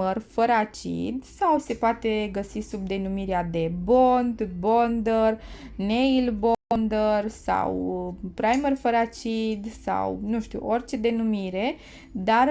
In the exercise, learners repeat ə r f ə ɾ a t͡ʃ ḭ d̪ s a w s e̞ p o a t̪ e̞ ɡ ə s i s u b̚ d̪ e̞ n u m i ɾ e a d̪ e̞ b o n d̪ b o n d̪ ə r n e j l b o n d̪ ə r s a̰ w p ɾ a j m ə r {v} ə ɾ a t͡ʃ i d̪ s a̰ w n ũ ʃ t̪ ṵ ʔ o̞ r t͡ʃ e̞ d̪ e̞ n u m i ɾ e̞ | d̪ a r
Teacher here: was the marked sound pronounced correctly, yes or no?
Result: no